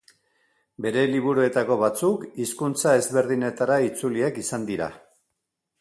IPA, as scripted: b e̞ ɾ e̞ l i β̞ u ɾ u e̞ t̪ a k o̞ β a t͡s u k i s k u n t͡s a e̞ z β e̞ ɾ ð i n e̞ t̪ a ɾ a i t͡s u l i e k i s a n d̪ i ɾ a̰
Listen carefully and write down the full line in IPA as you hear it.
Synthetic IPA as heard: b e̞ ɾ e̞ l i β̞ u ɾ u e̞ t̪ a k o̞ β a t͡s u k i s k u n t͡s a e̞ z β e̞ ɾ ð i n e̞ t̪ a ɾ a i t͡s u l i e k i s a n d̪ i ɾ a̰

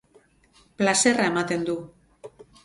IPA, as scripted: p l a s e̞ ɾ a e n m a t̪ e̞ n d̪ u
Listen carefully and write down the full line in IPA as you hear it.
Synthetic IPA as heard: p l a s e̞ r a e m a t̪ e̞ n d̪ u

